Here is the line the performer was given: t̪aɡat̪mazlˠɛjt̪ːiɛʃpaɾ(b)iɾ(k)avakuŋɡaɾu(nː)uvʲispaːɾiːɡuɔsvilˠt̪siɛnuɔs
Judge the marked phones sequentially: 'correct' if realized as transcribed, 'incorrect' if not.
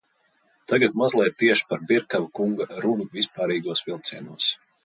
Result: correct, correct, incorrect: n

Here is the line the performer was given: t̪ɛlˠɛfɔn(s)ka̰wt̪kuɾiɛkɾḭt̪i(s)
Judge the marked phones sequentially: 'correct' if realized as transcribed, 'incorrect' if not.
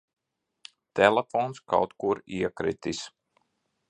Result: correct, correct

